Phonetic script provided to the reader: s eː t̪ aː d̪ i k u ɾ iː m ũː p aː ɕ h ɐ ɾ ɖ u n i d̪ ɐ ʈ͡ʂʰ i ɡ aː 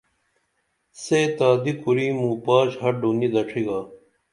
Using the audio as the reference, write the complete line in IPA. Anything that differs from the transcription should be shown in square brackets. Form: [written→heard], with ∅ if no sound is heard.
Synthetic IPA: s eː t̪ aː d̪ i k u ɾ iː m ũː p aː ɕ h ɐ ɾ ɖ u n i d̪ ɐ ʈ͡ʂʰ i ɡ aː